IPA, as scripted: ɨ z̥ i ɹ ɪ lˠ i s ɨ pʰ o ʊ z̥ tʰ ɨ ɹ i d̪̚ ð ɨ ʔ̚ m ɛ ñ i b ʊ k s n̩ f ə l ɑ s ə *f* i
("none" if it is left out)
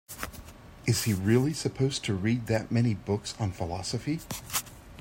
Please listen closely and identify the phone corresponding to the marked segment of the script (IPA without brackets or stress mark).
f